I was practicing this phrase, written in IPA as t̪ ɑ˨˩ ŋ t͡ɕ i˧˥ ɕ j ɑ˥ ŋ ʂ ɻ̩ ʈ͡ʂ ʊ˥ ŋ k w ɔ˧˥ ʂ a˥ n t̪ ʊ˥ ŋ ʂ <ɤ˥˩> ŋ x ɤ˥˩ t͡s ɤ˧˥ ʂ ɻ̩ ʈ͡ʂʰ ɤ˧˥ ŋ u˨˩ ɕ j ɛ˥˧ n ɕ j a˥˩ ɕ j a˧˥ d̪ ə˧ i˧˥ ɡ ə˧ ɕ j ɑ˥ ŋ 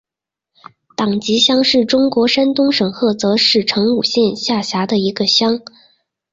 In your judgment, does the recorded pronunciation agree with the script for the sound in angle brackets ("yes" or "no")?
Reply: no